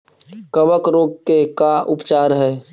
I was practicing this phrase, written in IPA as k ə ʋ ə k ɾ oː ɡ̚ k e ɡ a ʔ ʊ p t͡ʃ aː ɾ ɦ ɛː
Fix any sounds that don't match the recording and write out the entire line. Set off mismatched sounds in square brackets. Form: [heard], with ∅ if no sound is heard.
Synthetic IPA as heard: k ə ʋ ə k ɾ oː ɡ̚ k e [k] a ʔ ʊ p t͡ʃ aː ɾ ɦ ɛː